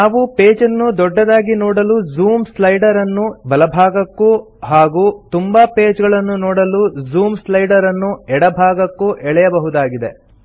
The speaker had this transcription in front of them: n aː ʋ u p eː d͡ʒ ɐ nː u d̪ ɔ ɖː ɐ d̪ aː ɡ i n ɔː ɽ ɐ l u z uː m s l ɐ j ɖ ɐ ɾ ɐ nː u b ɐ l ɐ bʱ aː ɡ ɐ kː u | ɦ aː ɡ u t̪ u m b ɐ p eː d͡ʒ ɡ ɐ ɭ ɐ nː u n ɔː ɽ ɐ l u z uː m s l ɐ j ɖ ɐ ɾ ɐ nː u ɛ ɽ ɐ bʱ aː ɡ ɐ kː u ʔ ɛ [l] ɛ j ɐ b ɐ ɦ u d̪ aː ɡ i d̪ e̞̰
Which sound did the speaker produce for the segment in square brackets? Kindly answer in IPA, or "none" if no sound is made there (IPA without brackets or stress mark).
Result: ɭ